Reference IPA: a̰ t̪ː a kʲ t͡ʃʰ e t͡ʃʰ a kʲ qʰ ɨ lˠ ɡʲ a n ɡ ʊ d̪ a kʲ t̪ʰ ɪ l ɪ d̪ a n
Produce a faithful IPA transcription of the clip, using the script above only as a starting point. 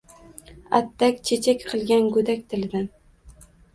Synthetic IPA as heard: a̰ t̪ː a kʲ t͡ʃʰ e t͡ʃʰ a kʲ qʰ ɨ lˠ ɡʲ a n ɡ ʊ d̪ a kʲ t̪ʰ ɪ l ɪ d̪ a n